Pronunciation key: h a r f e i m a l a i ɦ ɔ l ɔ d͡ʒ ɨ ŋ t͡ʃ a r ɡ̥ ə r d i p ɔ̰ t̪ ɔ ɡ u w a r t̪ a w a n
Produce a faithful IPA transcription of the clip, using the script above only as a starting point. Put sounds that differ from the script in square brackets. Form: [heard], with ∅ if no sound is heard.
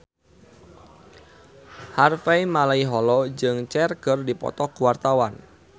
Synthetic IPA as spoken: h a r f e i m a l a i ɦ ɔ l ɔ d͡ʒ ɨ ŋ t͡ʃ [ɛ] r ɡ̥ ə r d i p ɔ̰ t̪ ɔ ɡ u w a r t̪ a w a n